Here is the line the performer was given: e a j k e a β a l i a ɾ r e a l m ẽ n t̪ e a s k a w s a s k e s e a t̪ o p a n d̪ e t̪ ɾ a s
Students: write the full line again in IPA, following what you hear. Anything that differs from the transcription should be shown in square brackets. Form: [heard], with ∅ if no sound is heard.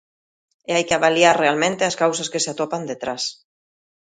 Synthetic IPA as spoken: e a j k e a β a l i a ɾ r e a l m ẽ n t̪ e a s k a w s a s k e s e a t̪ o p a n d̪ e t̪ ɾ a s